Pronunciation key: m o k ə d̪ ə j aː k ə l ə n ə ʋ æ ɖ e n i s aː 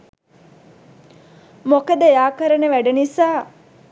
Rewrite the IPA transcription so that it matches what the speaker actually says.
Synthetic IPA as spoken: m o k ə d̪ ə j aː k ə ɾ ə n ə ʋ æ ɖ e n i s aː